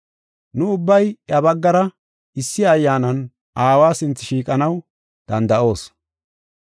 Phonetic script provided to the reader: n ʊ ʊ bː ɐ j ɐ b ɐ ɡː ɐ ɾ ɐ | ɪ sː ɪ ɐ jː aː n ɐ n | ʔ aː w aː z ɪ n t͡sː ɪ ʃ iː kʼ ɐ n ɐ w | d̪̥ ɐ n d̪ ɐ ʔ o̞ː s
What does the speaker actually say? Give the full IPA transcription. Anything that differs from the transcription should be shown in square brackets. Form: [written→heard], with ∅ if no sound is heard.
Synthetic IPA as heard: n ʊ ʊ bː ɐ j ɐ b ɐ ɡː ɐ ɾ ɐ | ɪ sː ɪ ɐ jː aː n ɐ n | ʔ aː w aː [z→s] ɪ n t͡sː ɪ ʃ iː kʼ ɐ n ɐ w | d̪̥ ɐ n d̪ ɐ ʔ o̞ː s